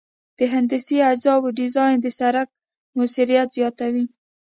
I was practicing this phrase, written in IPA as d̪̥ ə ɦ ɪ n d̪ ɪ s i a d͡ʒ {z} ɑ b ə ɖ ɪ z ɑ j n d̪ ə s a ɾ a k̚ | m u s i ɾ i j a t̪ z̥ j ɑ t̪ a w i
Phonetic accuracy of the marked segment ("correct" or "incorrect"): correct